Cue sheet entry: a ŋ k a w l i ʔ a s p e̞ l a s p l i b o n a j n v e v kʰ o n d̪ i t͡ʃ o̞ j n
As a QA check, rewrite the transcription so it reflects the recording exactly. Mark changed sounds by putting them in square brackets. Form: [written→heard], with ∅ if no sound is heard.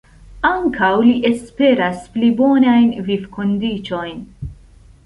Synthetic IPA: a ŋ k a w l i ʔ [a→e] s p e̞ [l→ɾ] a s p l i b o n a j n v [e→i] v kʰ o n d̪ i t͡ʃ o̞ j n